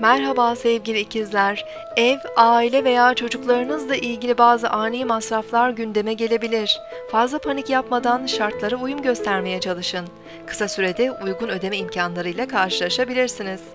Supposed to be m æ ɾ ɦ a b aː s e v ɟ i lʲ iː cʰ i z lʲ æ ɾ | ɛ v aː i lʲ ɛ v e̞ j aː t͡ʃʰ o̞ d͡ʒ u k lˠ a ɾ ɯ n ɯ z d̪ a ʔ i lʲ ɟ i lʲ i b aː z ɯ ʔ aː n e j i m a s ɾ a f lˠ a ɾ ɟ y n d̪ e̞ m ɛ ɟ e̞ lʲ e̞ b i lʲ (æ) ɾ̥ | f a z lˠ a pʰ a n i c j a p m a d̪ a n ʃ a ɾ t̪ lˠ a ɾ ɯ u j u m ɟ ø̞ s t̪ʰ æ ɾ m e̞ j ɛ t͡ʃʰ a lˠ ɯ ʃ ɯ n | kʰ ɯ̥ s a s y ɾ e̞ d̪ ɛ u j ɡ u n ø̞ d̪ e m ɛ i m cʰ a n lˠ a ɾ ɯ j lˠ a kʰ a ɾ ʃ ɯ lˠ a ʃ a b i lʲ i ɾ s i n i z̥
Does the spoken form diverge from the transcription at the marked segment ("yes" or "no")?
yes